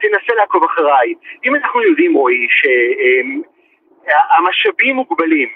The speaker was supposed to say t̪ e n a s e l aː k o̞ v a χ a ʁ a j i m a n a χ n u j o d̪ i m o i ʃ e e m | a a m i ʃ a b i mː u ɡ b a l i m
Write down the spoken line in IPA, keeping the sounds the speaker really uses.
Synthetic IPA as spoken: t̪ e n a s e l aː k o̞ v a χ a ʁ a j i m a n a χ n u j o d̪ i m o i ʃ e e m | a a m a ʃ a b i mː u ɡ b a l i m